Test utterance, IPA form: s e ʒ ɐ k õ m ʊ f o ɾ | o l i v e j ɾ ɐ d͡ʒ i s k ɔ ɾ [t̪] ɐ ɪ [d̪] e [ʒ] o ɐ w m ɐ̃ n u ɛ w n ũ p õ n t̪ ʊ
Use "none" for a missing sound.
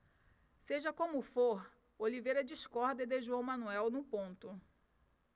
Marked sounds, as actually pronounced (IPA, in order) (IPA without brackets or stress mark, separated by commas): d̪, d̪, ʒ